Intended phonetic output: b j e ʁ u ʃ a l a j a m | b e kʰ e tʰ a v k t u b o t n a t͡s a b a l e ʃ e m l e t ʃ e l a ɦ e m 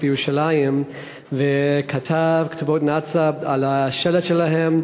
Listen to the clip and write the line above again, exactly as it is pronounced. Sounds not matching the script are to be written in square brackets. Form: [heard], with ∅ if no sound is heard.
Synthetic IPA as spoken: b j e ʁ u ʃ a l a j [i] m | [v] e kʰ [a] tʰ a v k t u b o t n a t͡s a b a l [a] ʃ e [∅] l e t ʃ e l a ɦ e m